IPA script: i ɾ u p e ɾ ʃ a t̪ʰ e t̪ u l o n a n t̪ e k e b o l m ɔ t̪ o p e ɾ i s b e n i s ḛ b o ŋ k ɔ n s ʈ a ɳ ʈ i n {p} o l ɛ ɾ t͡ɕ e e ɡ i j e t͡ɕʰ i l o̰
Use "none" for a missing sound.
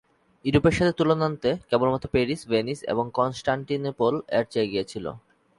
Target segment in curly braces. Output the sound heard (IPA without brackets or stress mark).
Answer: p